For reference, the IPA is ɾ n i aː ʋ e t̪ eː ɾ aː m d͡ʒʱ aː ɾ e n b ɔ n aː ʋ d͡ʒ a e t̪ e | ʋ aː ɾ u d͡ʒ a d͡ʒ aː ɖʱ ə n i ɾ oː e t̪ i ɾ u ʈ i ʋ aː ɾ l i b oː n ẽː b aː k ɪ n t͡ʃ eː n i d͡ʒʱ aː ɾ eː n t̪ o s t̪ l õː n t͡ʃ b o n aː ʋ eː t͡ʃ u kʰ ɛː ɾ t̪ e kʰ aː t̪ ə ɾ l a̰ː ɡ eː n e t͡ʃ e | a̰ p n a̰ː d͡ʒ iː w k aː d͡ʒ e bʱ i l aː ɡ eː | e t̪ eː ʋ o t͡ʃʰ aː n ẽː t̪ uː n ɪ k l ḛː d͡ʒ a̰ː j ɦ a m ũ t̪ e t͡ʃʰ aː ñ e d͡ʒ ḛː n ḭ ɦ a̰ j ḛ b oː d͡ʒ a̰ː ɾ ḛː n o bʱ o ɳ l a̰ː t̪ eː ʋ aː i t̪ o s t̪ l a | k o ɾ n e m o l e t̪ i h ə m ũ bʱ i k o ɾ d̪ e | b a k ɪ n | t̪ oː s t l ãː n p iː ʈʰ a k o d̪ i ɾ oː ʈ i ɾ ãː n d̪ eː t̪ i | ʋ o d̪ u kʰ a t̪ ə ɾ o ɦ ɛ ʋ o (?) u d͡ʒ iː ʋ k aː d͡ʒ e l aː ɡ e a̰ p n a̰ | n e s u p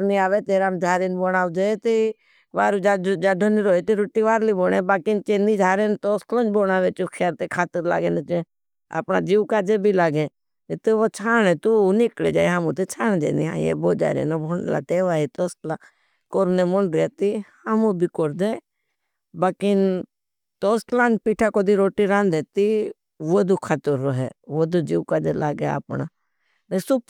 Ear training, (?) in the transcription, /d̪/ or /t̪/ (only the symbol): d̪